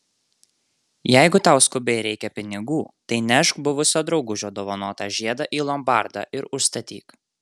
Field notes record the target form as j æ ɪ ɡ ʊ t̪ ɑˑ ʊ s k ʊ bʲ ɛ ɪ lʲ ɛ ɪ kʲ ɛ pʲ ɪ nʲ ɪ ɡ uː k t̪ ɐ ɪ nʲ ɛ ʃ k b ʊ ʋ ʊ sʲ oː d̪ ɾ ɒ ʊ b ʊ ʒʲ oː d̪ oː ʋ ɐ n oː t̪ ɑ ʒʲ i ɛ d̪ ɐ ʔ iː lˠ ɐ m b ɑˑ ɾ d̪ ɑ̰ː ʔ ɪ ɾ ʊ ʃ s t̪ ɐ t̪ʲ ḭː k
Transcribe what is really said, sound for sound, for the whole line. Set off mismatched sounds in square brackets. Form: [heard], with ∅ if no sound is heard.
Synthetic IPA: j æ ɪ ɡ ʊ t̪ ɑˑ ʊ s k ʊ bʲ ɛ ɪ [ɾʲ] ɛ ɪ kʲ ɛ pʲ ɪ nʲ ɪ ɡ uː [∅] t̪ ɐ ɪ nʲ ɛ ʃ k b ʊ ʋ ʊ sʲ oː d̪ ɾ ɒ ʊ [ɡ] ʊ ʒʲ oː d̪ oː ʋ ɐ n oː t̪ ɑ ʒʲ i ɛ d̪ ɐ ʔ iː lˠ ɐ m b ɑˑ ɾ d̪ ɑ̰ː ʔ ɪ ɾ ʊ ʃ s t̪ ɐ t̪ʲ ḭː k